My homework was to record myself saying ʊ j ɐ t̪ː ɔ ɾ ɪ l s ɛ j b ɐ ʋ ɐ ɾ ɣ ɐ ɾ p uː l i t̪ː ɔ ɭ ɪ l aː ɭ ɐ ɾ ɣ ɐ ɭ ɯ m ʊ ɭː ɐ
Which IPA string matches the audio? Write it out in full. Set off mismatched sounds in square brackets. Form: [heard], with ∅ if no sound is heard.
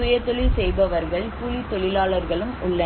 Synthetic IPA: ʊ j ɐ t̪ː ɔ [ɭ] ɪ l s ɛ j b ɐ ʋ ɐ ɾ ɣ ɐ [ɭ] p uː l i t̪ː ɔ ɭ ɪ l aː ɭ ɐ ɾ ɣ ɐ ɭ ɯ m ʊ ɭː ɐ